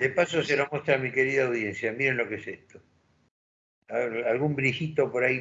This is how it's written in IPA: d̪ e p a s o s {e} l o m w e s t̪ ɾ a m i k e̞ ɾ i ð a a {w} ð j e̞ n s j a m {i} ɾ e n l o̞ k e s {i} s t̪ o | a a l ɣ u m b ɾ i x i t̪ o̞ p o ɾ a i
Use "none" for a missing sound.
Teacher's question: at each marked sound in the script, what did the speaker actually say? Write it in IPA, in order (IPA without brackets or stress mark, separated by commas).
e, w, i, e